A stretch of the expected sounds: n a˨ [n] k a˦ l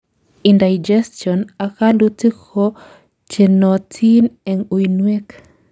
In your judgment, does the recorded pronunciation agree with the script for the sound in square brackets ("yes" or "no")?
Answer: no